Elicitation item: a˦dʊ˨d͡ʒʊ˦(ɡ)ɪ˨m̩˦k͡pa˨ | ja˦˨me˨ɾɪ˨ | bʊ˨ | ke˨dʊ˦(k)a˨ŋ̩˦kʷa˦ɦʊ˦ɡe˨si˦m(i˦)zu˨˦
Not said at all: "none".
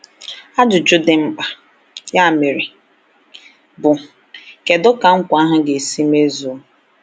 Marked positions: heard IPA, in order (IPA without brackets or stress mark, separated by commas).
d, k, e˦